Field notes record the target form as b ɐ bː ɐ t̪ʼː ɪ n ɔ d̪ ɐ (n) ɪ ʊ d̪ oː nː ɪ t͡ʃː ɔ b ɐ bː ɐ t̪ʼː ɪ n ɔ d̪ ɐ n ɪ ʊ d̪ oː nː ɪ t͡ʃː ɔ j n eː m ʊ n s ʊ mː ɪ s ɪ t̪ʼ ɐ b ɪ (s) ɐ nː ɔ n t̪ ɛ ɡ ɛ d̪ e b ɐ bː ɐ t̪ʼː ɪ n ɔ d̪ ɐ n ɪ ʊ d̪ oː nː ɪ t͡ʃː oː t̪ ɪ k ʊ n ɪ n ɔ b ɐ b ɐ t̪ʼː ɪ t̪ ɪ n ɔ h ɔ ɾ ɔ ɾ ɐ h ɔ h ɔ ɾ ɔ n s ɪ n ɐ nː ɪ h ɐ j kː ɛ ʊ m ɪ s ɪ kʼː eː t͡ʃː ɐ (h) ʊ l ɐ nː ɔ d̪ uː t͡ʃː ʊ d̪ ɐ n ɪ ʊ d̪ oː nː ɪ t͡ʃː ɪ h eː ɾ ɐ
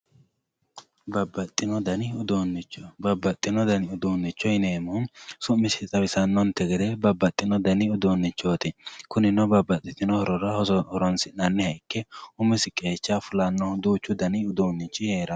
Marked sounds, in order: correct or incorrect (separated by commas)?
correct, correct, incorrect